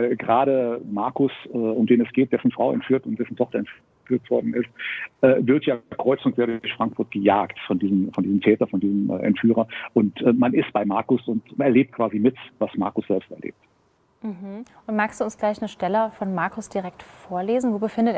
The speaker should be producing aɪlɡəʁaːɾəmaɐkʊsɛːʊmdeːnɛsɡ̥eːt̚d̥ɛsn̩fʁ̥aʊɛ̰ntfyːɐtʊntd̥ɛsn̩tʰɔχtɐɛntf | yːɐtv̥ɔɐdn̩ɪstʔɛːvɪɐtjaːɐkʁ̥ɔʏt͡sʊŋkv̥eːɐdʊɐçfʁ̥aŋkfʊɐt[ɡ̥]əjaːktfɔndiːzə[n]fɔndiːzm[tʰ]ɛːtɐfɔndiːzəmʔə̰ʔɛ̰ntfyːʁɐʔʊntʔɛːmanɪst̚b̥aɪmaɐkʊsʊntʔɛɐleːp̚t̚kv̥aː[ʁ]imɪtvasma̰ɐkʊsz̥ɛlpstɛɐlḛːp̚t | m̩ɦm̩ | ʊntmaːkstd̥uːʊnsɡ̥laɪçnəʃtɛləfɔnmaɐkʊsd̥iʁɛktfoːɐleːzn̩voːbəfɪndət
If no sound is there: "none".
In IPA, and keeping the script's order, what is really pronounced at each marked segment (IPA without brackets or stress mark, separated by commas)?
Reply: ɡ̥, m, tʰ, z